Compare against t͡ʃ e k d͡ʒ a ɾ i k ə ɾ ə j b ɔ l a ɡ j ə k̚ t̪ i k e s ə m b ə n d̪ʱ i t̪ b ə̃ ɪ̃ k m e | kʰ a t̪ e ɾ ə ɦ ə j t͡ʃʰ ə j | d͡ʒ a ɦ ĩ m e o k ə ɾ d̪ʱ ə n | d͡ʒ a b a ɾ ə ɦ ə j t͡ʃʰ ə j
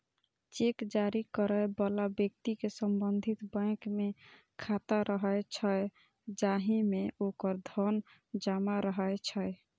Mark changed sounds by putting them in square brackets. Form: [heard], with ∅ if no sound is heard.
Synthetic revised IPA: t͡ʃ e k d͡ʒ a ɾ i k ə ɾ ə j b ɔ l a [b] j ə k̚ t̪ i k e s ə m b ə n d̪ʱ i t̪ b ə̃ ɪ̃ k m e | kʰ a t̪ [a] ɾ ə ɦ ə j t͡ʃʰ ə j | d͡ʒ a ɦ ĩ m e o k ə ɾ d̪ʱ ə n | d͡ʒ a [m] a ɾ ə ɦ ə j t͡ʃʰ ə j